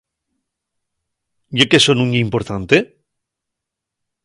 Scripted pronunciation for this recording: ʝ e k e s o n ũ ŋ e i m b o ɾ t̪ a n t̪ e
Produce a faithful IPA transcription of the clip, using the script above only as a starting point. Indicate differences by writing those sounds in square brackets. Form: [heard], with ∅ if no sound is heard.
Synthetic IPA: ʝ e k e s o n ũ [ɲ] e i m [p] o ɾ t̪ a n t̪ e